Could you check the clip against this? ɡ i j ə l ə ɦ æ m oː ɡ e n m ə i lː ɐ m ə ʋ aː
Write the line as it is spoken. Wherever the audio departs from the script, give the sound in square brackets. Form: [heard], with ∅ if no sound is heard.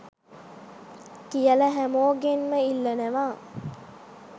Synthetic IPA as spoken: [k] i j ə l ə ɦ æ m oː ɡ e n m ə i lː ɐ [n] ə ʋ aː

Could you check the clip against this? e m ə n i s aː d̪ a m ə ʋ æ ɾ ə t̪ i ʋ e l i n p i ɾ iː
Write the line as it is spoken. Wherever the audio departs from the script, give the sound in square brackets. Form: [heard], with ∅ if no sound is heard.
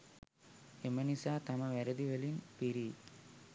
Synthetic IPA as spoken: e m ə n i s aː [t̪] a m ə ʋ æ ɾ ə [d̪] i ʋ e l i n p i ɾ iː

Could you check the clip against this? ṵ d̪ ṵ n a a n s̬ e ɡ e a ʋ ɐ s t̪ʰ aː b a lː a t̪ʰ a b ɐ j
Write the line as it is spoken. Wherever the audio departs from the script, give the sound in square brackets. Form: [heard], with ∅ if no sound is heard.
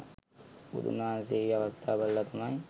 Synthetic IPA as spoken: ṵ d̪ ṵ n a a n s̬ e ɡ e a ʋ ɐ s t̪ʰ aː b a lː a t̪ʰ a [m] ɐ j

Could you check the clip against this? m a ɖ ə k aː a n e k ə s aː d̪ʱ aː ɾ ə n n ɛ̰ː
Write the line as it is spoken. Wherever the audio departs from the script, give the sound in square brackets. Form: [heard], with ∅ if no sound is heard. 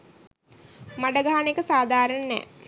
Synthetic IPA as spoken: m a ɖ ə [ɡ] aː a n e k ə s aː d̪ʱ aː ɾ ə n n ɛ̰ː

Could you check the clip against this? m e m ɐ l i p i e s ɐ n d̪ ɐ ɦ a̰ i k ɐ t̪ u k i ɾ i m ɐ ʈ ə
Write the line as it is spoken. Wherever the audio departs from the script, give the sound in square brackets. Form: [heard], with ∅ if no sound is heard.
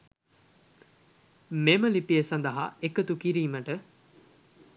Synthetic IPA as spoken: m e m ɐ l i p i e s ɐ n d̪ ɐ ɦ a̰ [e] k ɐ t̪ u k i ɾ [iː] m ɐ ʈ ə

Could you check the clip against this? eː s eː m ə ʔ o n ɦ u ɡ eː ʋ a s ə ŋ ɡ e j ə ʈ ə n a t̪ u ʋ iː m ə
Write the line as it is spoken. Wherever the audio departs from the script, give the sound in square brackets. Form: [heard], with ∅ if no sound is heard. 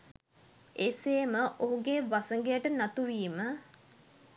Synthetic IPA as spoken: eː s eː m ə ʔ o [∅] ɦ u ɡ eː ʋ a s ə ŋ ɡ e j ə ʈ ə n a t̪ u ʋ iː m ə

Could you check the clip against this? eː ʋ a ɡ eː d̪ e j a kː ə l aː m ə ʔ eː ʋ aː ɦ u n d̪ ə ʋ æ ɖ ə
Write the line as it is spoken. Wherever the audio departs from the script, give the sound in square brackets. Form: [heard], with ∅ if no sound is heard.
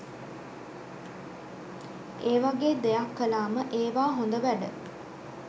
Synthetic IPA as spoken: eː ʋ a ɡ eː d̪ e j a kː ə l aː m ə ʔ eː ʋ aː ɦ [o] n d̪ ə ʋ æ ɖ ə

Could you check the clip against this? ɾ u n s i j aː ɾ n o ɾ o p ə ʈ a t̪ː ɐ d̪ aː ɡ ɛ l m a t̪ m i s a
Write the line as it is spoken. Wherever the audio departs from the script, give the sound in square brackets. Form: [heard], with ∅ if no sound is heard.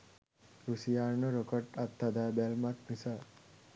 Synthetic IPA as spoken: ɾ u [∅] s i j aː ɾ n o ɾ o [k] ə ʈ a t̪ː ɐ d̪ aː [b] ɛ l m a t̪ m i s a

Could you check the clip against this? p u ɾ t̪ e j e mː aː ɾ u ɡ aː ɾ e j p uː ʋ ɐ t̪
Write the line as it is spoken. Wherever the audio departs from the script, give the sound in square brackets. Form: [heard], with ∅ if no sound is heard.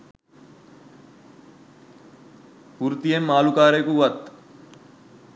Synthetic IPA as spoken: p u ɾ t̪ [i] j e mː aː [l] u [k] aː ɾ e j [k] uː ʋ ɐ t̪

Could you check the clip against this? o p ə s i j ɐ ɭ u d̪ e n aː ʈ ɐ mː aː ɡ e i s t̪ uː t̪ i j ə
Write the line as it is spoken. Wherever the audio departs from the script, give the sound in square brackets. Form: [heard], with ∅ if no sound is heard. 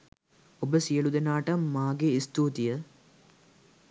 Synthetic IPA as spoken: o [b] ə s i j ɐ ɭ u d̪ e n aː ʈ ɐ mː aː ɡ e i s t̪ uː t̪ i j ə

